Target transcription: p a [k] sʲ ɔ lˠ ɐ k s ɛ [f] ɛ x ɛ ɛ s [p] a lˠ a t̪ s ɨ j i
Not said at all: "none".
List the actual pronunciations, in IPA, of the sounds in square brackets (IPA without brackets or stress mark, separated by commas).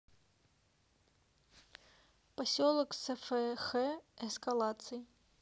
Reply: none, f, k